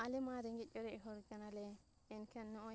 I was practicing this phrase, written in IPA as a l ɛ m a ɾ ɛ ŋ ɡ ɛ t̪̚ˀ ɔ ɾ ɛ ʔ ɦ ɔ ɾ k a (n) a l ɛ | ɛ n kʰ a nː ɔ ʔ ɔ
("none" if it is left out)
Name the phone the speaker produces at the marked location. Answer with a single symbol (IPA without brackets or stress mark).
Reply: n